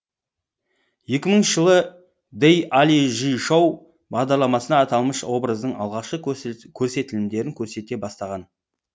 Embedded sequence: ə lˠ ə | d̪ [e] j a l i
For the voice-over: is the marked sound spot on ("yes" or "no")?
yes